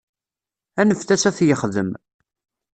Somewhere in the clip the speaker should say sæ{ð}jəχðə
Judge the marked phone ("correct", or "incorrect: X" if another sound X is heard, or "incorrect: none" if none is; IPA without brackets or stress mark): incorrect: θ